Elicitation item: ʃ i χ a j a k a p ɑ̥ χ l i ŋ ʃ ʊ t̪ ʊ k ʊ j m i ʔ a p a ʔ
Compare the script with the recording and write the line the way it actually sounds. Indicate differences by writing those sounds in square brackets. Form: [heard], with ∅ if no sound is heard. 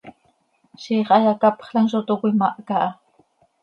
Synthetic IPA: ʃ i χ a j a k a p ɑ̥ χ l [a] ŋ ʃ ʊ t̪ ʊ k ʊ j m [a] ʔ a [k] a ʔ